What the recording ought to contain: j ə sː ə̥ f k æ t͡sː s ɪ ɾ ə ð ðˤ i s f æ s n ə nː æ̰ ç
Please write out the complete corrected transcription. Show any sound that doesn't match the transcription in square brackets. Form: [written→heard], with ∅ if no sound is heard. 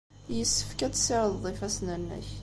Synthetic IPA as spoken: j ə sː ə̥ f k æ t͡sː s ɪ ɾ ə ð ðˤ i [s→∅] f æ s n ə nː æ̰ ç

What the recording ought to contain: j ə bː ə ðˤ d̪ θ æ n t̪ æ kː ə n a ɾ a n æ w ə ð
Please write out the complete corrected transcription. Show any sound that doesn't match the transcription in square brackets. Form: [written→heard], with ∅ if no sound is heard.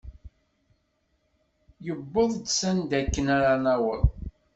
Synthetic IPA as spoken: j ə bː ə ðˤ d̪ [θ→s] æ n [t̪→d̪] æ kː ə n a ɾ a n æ w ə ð

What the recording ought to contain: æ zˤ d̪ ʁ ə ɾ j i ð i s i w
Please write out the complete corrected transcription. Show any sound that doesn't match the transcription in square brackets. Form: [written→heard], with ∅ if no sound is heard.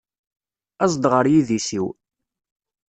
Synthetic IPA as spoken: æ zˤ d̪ ʁ ə ɾ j i ð i s i w

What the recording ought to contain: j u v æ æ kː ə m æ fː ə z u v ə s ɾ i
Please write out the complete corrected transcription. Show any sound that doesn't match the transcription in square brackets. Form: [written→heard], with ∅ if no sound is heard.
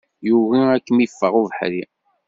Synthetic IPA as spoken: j u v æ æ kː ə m [æ→i] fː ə [z→ʁ] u v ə [s→ħ] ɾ i

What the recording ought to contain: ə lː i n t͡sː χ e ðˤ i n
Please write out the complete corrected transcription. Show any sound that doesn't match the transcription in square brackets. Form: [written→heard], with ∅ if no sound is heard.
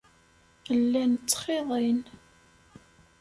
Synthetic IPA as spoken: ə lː [i→æ] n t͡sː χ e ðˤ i n

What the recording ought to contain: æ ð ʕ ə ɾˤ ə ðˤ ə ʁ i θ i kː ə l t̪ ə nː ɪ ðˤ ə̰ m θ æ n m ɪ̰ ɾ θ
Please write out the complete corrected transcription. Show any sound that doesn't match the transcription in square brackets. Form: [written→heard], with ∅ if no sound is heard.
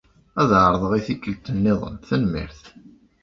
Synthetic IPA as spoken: æ ð ʕ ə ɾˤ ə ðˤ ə ʁ i θ i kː ə l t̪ ə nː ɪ ðˤ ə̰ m θ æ n m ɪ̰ ɾ θ

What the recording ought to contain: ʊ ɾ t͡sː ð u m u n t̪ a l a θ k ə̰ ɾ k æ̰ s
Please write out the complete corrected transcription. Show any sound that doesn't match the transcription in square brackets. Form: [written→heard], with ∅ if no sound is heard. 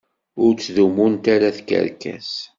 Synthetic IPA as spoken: ʊ ɾ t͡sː ð u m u n t̪ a [l→ɾ] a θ k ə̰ ɾ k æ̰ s

